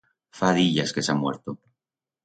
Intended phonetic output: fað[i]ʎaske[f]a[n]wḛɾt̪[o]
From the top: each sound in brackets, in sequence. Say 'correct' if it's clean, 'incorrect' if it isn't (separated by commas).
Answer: correct, incorrect, incorrect, correct